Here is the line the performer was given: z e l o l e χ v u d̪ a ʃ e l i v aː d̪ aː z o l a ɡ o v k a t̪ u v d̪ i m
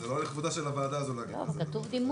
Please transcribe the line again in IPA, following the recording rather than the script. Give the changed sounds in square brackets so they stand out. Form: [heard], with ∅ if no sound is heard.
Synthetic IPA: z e l o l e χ v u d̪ a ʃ e l [a] v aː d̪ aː z o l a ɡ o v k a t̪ u v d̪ i m